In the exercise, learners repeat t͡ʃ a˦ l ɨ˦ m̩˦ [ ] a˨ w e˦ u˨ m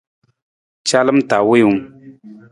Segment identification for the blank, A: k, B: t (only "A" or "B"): B